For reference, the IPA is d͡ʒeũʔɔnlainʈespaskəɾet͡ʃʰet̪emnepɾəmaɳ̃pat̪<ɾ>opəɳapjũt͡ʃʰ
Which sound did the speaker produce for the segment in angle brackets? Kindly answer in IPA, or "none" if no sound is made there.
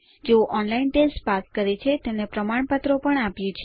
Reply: ɾ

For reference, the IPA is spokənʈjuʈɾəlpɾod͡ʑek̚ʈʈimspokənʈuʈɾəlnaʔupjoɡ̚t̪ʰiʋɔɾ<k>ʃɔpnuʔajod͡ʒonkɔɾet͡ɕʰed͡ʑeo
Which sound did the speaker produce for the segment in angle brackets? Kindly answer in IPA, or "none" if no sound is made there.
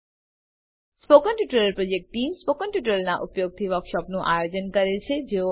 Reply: k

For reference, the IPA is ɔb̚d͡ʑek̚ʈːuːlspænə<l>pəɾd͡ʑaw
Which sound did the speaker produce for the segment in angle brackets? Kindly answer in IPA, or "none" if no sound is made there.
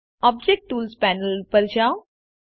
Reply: l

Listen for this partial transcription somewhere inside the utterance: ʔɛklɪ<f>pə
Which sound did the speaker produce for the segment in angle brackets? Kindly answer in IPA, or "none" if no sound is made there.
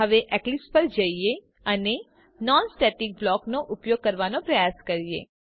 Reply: s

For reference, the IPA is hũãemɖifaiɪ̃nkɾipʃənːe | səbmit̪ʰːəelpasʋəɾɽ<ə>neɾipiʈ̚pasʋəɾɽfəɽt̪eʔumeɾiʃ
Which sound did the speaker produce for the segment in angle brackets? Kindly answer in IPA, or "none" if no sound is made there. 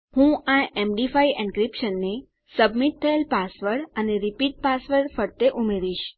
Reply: ə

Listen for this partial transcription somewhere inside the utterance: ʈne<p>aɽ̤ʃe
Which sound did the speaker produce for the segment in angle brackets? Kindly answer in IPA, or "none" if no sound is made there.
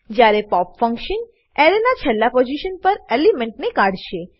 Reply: k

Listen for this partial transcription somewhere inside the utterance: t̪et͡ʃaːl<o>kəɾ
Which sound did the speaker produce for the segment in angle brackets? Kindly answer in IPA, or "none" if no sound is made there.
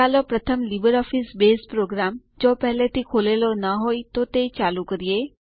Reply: u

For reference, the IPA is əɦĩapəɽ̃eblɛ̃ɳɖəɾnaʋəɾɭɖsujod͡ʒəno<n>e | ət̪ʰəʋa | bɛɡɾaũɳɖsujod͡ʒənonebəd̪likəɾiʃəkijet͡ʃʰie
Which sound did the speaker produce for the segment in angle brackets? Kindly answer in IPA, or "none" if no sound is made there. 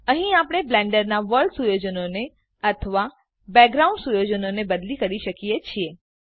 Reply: n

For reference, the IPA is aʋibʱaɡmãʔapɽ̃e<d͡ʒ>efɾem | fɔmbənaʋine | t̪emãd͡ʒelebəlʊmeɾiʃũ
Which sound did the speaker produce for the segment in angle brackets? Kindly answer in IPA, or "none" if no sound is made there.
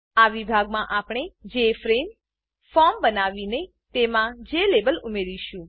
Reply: d͡ʒ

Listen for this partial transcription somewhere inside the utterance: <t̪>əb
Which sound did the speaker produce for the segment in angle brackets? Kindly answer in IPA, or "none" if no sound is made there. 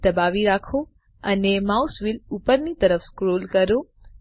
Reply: d̪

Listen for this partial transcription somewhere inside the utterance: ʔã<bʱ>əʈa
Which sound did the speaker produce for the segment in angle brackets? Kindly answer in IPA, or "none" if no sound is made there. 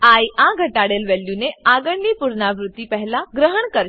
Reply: ɡʱ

